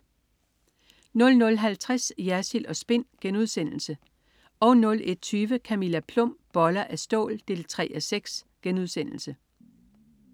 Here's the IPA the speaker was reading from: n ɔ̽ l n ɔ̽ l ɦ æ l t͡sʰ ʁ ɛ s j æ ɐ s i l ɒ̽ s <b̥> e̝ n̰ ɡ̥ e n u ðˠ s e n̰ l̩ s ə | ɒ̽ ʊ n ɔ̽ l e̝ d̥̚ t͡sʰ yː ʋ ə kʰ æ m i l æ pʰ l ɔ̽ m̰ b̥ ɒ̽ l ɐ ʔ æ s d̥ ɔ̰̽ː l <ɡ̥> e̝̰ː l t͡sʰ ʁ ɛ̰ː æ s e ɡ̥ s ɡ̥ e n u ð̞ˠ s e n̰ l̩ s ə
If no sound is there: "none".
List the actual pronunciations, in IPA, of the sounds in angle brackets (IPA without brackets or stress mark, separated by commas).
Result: b̥, d̥